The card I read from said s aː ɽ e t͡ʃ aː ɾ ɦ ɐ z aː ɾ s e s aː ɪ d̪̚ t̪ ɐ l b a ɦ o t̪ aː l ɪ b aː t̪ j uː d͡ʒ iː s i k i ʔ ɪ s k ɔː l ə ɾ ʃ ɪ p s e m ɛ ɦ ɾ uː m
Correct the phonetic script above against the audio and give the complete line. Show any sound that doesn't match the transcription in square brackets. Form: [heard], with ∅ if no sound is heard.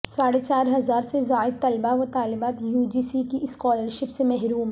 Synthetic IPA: s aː ɽ e t͡ʃ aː ɾ ɦ ɐ z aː ɾ s e [z] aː ɪ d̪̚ t̪ ɐ l b a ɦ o t̪ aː l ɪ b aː t̪ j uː d͡ʒ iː s i k i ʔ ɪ s k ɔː l ə ɾ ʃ ɪ p s e m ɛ ɦ ɾ uː m